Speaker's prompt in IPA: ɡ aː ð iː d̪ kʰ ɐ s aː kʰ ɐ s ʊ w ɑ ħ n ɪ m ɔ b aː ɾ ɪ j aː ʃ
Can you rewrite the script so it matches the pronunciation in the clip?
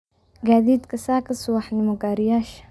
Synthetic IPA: ɡ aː ð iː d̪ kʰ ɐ s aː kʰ ɐ s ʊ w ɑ ħ n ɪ m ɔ ɡ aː ɾ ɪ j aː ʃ